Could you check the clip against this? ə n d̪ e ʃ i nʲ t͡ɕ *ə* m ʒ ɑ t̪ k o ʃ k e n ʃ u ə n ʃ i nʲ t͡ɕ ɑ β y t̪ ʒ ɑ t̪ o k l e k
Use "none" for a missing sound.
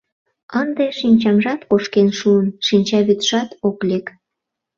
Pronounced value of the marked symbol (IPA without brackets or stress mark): ɑ